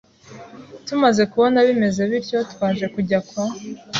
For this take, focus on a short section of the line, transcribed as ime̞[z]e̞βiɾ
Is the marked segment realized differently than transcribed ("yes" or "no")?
no